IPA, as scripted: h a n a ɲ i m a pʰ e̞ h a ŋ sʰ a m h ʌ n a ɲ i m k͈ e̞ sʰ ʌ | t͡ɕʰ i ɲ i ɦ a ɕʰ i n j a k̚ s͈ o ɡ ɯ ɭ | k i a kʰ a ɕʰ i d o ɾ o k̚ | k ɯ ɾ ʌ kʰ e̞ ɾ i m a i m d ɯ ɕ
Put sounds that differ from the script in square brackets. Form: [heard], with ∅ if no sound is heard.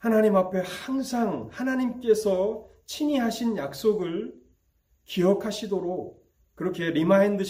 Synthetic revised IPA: h a n a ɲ i m a pʰ e̞ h a ŋ sʰ a [ŋ] h [a] n a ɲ i m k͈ e̞ sʰ ʌ | t͡ɕʰ i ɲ i ɦ a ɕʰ i n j a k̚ s͈ o ɡ ɯ ɭ | k i [ʌ] kʰ a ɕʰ i d o ɾ o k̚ | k ɯ ɾ ʌ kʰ e̞ ɾ i m a i [n] d ɯ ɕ